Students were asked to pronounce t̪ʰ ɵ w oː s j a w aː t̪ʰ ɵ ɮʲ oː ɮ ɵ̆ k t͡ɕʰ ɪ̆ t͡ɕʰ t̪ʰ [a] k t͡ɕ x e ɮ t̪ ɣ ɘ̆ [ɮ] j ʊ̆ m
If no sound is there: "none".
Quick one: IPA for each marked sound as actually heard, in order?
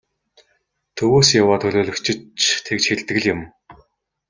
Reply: e, ɮ

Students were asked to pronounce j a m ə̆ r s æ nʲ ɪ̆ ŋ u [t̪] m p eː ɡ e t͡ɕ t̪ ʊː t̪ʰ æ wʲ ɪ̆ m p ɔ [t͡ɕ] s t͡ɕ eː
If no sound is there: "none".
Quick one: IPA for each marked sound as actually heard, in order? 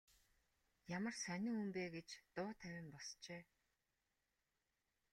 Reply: none, none

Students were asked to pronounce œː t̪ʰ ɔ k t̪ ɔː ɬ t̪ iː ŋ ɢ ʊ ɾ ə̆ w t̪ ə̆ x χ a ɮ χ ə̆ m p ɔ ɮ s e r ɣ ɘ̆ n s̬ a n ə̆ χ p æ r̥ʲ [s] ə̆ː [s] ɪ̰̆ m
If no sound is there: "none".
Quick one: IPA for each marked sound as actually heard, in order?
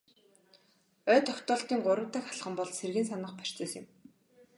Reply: t͡s, s

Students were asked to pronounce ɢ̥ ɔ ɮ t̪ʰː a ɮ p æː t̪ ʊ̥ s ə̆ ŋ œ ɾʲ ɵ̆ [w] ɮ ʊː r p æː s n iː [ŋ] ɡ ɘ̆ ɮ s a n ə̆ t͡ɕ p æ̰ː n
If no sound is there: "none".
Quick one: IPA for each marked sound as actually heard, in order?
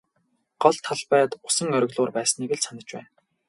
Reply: ɣ, none

